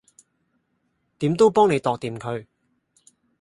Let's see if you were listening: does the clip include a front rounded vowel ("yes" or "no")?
no